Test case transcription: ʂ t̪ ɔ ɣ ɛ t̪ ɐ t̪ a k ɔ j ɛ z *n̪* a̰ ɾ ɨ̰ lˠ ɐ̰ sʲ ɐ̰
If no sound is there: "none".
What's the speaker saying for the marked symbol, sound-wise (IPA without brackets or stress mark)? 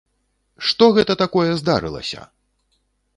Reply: d̪